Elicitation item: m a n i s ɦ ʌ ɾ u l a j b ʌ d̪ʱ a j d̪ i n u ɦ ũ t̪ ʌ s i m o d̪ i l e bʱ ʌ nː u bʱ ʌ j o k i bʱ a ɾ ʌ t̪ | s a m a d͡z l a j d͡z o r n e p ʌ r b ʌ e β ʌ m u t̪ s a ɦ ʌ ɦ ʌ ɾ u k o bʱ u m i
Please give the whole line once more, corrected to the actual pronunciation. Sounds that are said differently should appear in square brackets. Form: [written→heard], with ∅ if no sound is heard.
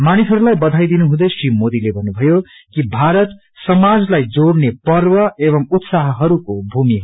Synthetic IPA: m a n i s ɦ ʌ ɾ u l a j b ʌ d̪ʱ a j d̪ i n u ɦ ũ [t̪→d̪] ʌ s i m o d̪ i l e bʱ ʌ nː u bʱ ʌ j o k i bʱ a ɾ ʌ t̪ | s [a→ʌ] m a d͡z l a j d͡z o [r→ɽ] n e p ʌ r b ʌ e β ʌ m u t̪ s a ɦ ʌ ɦ ʌ ɾ u k o bʱ u m i